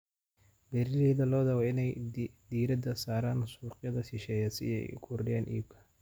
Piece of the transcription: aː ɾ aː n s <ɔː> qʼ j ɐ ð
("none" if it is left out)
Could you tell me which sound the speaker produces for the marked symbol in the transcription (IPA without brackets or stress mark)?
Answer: uː